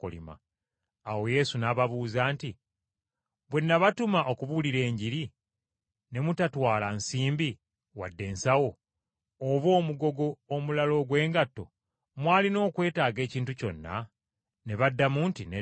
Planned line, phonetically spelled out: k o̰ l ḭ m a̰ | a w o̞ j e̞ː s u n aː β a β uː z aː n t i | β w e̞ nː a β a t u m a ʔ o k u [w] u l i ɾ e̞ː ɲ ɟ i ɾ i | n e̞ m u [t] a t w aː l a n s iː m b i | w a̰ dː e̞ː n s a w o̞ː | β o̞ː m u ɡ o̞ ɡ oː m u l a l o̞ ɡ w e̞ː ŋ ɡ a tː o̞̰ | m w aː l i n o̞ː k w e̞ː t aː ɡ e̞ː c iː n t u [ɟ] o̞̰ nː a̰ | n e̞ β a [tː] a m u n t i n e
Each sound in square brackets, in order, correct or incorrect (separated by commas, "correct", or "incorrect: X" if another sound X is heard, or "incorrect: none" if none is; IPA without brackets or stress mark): incorrect: β, correct, incorrect: c, incorrect: dː